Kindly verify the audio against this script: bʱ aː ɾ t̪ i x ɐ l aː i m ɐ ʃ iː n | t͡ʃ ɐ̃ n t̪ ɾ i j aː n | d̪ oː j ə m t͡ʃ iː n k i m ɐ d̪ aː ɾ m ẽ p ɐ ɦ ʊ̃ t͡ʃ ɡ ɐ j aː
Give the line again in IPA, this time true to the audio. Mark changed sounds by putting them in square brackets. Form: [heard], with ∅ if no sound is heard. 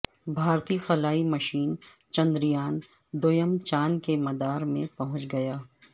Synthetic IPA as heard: bʱ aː ɾ t̪ i x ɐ l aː i m ɐ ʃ iː n | t͡ʃ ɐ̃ n [d̪] ɾ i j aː n | d̪ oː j ə m t͡ʃ [aː] n k [e] m ɐ d̪ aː ɾ m ẽ p ɐ ɦ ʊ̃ t͡ʃ ɡ ɐ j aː